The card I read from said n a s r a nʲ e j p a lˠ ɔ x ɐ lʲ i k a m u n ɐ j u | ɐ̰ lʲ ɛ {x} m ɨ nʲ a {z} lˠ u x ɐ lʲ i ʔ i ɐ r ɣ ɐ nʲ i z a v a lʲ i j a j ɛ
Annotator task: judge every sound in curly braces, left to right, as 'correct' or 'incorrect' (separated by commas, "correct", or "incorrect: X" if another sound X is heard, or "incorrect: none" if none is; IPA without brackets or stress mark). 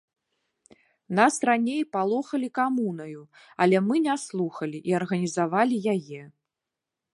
incorrect: none, incorrect: s